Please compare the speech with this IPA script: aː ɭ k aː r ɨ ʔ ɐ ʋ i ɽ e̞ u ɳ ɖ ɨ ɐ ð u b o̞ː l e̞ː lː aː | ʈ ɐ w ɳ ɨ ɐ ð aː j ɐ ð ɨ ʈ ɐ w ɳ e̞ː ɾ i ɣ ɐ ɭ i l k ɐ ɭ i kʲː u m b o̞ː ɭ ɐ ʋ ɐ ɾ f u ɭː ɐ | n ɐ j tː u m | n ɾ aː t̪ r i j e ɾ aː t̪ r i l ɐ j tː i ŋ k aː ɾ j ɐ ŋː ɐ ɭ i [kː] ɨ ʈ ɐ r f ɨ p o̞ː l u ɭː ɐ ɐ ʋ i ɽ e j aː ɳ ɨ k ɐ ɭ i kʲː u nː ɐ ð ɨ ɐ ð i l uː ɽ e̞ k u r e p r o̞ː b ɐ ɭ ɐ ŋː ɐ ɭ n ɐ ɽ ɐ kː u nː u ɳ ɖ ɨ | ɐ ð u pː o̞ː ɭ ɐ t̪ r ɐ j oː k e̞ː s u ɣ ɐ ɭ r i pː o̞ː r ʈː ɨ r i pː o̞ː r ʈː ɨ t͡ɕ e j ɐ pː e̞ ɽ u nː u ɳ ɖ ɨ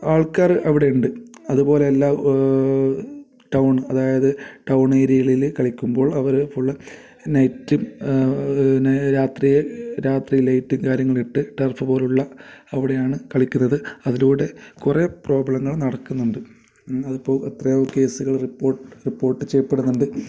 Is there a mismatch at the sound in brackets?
yes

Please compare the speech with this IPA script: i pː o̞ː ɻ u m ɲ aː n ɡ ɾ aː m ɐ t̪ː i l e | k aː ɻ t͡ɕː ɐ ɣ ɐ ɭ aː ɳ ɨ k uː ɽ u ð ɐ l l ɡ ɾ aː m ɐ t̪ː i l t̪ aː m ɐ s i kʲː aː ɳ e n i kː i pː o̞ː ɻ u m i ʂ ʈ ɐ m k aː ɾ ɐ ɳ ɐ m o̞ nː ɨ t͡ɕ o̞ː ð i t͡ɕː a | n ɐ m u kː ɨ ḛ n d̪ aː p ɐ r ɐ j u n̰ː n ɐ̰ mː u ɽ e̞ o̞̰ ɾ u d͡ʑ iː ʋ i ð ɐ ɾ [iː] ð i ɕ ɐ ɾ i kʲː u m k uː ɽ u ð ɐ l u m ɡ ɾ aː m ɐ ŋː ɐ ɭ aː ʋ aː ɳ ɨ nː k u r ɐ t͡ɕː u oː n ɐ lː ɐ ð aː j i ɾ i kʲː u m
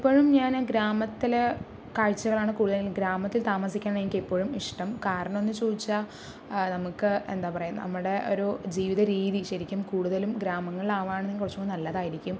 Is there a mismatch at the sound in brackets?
no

